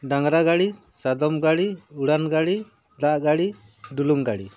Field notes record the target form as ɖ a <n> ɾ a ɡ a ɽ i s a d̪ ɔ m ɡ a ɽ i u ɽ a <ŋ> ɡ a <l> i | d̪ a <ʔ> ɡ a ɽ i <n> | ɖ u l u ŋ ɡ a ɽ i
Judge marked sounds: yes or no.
no, no, no, yes, no

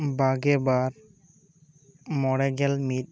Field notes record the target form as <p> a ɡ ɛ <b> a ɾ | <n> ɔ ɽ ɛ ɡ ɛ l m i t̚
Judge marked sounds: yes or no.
no, yes, no

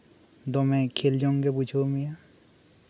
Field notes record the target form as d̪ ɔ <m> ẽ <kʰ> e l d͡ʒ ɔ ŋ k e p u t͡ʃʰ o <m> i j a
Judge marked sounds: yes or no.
yes, yes, yes

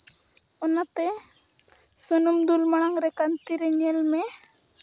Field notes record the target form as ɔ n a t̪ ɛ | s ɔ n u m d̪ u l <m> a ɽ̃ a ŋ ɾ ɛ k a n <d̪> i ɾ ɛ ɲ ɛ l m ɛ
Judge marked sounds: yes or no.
yes, no

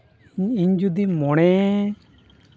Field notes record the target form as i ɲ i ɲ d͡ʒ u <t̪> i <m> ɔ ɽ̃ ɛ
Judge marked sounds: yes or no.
no, yes

